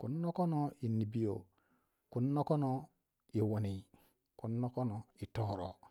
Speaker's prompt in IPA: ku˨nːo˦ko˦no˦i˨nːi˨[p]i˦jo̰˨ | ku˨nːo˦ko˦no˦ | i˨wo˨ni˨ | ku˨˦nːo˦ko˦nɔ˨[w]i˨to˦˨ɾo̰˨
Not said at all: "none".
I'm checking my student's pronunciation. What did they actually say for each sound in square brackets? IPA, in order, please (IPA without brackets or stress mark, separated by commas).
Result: b, none